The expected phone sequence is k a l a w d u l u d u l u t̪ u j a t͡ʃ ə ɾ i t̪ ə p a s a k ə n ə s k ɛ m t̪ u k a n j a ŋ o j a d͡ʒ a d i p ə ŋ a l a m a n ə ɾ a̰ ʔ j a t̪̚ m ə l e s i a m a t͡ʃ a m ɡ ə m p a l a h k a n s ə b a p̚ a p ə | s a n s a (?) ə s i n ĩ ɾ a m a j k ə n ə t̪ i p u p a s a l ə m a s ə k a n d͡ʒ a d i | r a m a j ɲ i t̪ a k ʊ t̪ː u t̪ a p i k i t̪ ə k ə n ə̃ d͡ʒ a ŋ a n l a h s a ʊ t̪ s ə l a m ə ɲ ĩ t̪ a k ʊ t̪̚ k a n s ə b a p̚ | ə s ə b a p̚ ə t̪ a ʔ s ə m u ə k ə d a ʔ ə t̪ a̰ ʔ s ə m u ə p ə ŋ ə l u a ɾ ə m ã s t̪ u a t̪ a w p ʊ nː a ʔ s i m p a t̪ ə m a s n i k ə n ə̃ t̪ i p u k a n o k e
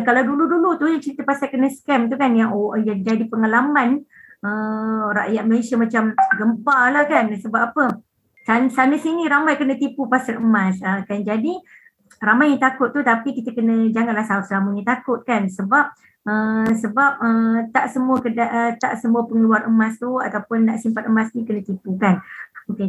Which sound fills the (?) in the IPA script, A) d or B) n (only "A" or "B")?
B